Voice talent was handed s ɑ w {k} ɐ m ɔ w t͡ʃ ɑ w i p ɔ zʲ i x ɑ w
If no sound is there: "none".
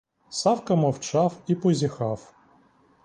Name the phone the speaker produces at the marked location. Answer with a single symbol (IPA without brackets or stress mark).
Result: k